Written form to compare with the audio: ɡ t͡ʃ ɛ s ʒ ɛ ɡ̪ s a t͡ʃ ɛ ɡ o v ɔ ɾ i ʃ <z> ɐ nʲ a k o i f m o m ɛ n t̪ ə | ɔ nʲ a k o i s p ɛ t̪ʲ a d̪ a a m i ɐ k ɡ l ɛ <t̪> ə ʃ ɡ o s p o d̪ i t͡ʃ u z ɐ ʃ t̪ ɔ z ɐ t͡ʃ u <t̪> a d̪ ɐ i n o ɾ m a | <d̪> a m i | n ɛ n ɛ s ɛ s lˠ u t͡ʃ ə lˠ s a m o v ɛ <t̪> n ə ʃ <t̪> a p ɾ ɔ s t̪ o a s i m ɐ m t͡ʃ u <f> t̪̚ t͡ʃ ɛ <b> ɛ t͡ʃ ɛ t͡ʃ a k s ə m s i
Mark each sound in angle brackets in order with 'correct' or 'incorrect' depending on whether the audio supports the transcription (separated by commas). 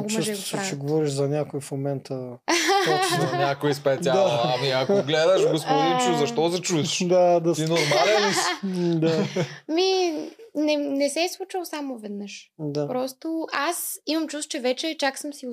correct, incorrect, incorrect, correct, incorrect, incorrect, incorrect, incorrect